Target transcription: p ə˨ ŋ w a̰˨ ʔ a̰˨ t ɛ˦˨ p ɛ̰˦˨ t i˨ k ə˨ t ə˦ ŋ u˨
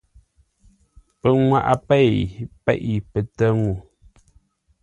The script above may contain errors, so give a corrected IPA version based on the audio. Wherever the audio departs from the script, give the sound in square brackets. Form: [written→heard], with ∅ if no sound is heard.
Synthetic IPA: p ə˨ ŋ w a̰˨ ʔ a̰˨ [t→p] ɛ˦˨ p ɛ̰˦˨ [t→ʔ] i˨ [k→p] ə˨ t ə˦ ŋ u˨